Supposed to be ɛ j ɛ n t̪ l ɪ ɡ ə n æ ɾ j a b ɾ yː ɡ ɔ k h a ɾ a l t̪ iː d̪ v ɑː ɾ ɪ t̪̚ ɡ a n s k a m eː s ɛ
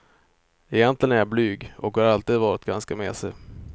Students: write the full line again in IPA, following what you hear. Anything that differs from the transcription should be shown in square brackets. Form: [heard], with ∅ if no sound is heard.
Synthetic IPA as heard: ɛ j ɛ n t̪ l ɪ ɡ ə n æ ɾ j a b [l] yː ɡ ɔ k h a ɾ a l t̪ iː d̪ v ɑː ɾ ɪ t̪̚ ɡ a n s k a m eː s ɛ